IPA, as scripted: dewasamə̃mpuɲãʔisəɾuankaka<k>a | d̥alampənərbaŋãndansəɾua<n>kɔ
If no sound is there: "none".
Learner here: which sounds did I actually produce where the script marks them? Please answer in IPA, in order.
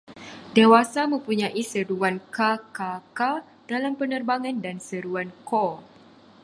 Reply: k, n

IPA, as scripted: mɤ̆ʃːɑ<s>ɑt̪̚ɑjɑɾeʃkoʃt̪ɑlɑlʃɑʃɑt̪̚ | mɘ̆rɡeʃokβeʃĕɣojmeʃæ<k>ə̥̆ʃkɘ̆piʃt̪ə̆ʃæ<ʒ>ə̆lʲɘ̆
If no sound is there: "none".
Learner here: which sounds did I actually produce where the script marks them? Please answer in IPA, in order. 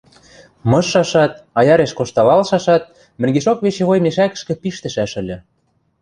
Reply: ʃ, k, ʃ

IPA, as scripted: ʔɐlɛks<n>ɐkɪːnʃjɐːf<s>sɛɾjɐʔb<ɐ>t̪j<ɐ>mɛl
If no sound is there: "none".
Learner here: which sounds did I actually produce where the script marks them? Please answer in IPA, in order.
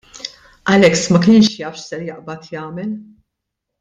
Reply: m, ʃ, ɐ, ɐː

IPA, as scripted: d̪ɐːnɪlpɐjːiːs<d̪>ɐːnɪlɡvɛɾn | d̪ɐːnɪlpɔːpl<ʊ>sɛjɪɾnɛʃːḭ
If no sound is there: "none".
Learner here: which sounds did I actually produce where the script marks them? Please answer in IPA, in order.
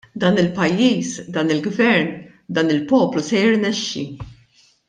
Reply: d̪, u

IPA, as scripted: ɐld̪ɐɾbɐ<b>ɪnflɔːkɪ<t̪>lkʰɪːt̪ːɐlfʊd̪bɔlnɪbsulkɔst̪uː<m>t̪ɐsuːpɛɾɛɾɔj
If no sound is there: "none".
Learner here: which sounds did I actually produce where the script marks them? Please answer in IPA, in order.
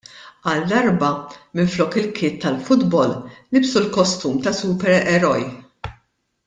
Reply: m, none, m

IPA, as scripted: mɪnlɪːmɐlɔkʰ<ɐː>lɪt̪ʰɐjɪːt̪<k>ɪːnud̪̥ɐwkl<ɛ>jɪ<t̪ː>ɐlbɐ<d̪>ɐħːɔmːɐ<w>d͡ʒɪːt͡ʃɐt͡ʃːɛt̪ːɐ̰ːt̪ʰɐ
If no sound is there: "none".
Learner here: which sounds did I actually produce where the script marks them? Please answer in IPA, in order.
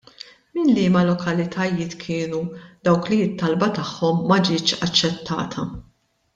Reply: ɐ, kʰ, i, t̪ː, t̪, none

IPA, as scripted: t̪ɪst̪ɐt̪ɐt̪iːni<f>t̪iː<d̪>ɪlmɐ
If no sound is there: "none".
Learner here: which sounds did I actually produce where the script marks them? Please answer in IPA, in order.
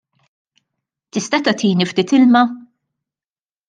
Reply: f, t̪

